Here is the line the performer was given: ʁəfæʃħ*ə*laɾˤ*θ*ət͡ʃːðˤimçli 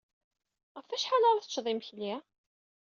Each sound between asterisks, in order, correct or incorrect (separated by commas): incorrect, correct